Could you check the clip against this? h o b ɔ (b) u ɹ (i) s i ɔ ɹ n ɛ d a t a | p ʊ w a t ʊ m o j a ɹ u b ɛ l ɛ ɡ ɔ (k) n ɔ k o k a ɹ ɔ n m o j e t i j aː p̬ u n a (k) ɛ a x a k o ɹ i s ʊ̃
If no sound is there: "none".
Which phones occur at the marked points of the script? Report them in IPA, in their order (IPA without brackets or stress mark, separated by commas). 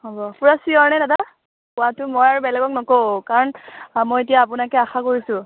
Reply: p, a, k, k